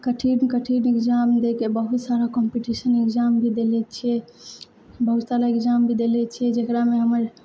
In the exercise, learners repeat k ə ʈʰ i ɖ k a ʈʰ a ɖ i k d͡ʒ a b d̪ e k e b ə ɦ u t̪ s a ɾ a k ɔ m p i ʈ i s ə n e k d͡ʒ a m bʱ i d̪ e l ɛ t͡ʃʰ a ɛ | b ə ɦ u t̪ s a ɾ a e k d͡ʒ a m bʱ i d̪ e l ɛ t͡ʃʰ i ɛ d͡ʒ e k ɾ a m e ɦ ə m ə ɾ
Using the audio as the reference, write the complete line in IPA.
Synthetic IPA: k ə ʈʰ i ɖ k ə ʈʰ i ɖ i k d͡ʒ a m d̪ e k e b ə ɦ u t̪ s a ɾ a k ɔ m p i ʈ i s ə n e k d͡ʒ a m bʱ i d̪ e l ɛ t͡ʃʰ i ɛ | b ə ɦ u t̪ s a ɾ a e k d͡ʒ a m bʱ i d̪ e l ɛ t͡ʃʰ i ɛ d͡ʒ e k ɾ a m e ɦ ə m ə ɾ